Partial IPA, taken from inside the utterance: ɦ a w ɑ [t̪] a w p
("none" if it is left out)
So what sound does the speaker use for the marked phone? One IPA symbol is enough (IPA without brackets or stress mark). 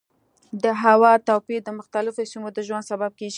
t̪